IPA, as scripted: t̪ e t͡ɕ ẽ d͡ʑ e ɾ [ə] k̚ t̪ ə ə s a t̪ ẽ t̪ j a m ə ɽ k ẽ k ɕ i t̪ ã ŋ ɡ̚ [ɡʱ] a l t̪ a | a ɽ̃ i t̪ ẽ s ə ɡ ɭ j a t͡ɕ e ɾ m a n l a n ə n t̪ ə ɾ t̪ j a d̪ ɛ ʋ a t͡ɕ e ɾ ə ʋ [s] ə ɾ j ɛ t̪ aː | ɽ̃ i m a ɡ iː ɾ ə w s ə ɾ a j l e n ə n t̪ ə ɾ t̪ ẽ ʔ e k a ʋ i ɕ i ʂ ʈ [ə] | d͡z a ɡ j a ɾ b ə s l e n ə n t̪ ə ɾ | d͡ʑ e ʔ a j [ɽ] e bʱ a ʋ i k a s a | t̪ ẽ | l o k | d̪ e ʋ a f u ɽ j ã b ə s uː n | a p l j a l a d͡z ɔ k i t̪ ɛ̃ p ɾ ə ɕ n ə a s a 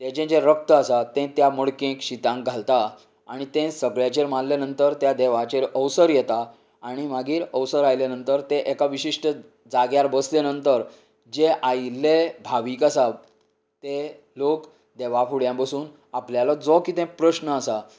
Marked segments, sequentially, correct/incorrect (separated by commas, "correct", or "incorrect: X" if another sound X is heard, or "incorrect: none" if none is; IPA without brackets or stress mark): correct, correct, correct, correct, incorrect: l